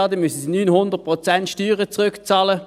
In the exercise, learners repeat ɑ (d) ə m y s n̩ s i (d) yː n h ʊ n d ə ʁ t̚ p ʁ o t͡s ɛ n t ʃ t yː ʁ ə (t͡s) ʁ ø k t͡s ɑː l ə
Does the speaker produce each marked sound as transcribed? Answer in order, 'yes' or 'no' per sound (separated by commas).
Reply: yes, no, yes